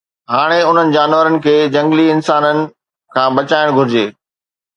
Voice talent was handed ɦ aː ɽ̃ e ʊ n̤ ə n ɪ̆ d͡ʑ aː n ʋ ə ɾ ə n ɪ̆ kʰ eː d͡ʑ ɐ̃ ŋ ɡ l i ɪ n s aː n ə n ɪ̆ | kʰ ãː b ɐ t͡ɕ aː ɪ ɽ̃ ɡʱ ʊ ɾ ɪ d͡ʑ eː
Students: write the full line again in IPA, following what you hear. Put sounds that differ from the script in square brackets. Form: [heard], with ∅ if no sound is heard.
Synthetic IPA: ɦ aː ɽ̃ e ʊ n̤ ə n ɪ̆ d͡ʑ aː n ʋ ə ɾ ə n ɪ̆ kʰ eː d͡ʑ ɐ̃ ŋ ɡ l i ɪ n s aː n ə n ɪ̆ | kʰ ãː b ɐ t͡ɕ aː ɪ ɽ̃ ɡʱ ʊ ɾ ɪ d͡ʑ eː

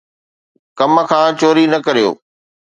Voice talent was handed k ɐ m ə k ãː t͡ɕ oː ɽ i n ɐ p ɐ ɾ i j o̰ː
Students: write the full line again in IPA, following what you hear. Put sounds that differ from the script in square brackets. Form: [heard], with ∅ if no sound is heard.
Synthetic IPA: k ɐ m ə [kʰ] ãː t͡ɕ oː [ɾ] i n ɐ [k] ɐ ɾ i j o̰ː

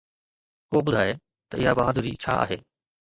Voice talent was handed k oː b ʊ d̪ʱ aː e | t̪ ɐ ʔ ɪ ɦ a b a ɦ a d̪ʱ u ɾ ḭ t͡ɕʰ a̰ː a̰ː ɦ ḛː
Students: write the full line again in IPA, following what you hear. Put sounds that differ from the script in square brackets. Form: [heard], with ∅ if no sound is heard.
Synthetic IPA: k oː b ʊ d̪ʱ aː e | t̪ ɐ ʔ ɪ ɦ a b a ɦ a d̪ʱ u ɾ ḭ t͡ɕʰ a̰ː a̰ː ɦ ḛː

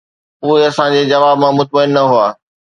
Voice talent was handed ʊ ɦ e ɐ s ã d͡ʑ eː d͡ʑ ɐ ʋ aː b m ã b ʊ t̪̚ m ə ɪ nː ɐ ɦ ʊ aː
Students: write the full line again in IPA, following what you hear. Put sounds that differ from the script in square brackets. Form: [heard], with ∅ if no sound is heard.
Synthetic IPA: ʊ ɦ e ɐ s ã d͡ʑ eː d͡ʑ ɐ ʋ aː b m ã [m] ʊ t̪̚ m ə ɪ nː ɐ ɦ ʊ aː

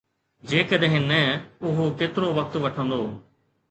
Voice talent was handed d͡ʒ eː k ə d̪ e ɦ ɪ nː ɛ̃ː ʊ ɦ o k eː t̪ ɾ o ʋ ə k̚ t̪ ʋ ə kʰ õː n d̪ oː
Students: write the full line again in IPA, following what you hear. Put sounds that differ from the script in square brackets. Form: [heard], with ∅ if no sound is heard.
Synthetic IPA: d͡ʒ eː k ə d̪ e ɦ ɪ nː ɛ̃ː ʊ ɦ o k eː t̪ ɾ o ʋ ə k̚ t̪ ʋ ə [ʈʰ] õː n d̪ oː

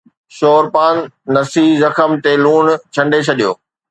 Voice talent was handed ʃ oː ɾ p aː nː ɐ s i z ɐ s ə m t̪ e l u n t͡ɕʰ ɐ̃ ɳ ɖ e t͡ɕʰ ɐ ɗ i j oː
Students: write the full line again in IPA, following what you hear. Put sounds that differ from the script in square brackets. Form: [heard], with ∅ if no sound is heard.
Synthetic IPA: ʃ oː ɾ p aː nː ɐ s i z ɐ [x] ə m t̪ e l [uː] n t͡ɕʰ ɐ̃ ɳ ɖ e t͡ɕʰ ɐ ɗ i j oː

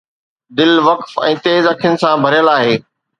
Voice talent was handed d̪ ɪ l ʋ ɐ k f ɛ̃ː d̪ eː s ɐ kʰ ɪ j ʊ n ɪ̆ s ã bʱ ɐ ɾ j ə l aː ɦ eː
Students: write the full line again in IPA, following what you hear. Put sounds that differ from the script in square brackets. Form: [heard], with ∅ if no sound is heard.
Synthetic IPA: d̪ ɪ l ʋ ɐ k f ɛ̃ː [t̪] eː [z] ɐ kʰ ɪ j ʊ n ɪ̆ s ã bʱ ɐ ɾ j ə l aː ɦ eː

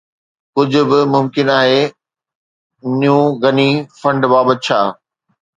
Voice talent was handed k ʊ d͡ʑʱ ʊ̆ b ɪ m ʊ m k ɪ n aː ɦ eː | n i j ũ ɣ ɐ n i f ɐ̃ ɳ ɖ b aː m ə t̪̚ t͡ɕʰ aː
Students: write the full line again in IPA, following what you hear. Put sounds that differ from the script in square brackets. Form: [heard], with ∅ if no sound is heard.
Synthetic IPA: k ʊ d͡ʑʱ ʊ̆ b ɪ m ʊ m k ɪ n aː ɦ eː | n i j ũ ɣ ɐ n i f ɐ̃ ɳ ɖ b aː [b] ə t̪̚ t͡ɕʰ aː

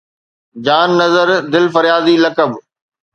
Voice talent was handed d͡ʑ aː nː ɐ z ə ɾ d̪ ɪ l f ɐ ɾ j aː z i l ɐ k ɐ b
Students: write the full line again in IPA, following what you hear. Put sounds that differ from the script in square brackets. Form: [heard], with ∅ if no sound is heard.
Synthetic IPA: d͡ʑ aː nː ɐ z ə ɾ d̪ ɪ l f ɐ ɾ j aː z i l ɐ k [ə] b

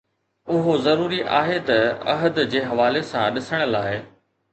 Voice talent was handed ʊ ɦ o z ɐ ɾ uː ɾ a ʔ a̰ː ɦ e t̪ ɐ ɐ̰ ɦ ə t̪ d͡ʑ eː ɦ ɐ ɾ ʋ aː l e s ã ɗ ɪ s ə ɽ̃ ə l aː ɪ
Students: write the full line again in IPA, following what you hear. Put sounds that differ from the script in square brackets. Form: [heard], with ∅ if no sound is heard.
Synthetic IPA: ʊ ɦ o z ɐ ɾ uː ɾ [i] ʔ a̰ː ɦ e t̪ ɐ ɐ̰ ɦ ə [d̪] d͡ʑ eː ɦ ɐ [∅] ʋ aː l e s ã ɗ ɪ s ə ɽ̃ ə l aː ɪ

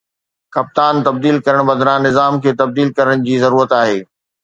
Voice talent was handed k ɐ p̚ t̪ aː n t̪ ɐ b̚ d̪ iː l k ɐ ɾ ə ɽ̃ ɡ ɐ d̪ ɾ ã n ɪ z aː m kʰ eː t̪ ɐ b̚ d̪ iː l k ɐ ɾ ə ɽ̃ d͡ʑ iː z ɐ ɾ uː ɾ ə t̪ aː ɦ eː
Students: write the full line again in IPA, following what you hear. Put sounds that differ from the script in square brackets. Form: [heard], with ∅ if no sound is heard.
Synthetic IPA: k ɐ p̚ t̪ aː n t̪ ɐ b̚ d̪ iː l k ɐ ɾ ə ɽ̃ [b] ɐ d̪ ɾ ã n ɪ z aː m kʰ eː t̪ ɐ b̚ d̪ iː l k ɐ ɾ ə ɽ̃ d͡ʑ iː z ɐ ɾ uː ɾ ə t̪ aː ɦ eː

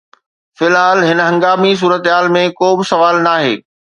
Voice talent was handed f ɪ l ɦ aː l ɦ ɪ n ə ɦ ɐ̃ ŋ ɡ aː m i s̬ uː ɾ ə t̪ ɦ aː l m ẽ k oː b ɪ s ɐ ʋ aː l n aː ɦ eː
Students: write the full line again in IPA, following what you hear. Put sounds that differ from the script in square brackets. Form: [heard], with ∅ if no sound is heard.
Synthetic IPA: f ɪ l ɦ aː l ɦ ɪ n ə ɦ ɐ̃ ŋ ɡ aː m i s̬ uː ɾ ə t̪ ɦ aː l m ẽ k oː b ɪ s ɐ ʋ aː l n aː ɦ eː

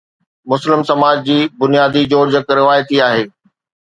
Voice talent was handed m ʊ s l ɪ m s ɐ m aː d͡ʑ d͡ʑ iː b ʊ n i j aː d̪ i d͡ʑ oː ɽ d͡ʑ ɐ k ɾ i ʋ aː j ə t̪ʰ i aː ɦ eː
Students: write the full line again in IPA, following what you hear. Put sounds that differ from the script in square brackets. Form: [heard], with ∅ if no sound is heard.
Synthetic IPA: m ʊ s l ɪ m s ɐ m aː d͡ʑ d͡ʑ iː b ʊ n i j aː d̪ i d͡ʑ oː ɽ d͡ʑ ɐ k ɾ [ɪ] ʋ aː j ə [t̪] i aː ɦ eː

